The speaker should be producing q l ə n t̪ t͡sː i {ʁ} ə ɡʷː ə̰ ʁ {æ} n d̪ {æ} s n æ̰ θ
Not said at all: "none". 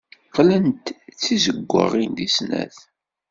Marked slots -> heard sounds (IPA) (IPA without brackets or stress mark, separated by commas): z, i, i